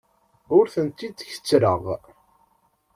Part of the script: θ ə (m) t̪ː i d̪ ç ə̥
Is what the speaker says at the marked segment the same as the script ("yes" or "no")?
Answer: no